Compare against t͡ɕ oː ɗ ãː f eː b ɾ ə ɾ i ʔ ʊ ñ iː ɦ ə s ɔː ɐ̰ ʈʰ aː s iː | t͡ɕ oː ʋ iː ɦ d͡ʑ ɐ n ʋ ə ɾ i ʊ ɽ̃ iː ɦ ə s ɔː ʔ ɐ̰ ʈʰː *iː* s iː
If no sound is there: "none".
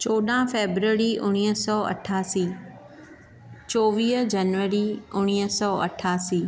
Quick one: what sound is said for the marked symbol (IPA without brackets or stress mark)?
aː